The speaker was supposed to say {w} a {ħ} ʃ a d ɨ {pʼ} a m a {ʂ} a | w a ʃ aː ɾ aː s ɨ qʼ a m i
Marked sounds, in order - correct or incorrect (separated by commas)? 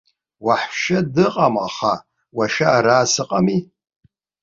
correct, correct, incorrect, incorrect